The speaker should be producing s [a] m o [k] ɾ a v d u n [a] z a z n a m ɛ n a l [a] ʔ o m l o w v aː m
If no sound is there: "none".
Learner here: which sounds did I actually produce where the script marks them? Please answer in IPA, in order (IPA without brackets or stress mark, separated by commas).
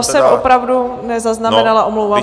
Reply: ɛ, p, ɛ, a